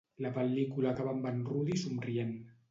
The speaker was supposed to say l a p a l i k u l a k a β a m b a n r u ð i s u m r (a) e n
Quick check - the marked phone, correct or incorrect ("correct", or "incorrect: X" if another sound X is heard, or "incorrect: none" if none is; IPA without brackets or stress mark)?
incorrect: i